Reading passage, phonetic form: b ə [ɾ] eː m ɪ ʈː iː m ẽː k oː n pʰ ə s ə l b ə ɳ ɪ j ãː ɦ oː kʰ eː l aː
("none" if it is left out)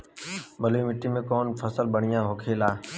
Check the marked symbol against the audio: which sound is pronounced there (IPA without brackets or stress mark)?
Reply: l